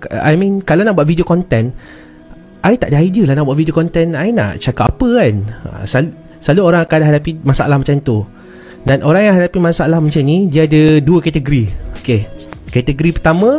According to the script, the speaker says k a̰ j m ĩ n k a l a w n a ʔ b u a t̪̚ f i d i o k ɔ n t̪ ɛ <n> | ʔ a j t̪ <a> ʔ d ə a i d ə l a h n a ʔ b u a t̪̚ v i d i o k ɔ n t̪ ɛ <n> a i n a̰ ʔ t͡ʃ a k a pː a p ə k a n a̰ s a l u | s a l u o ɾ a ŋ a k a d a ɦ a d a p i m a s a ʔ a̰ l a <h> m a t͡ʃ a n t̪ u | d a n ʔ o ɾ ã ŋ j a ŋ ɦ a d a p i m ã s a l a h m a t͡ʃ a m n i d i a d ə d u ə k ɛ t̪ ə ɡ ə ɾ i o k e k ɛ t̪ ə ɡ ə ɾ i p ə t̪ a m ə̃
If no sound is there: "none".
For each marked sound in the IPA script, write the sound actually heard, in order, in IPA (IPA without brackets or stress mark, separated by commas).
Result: n, a, n, h